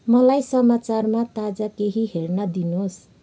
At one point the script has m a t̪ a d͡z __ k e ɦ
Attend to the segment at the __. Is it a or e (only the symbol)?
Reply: a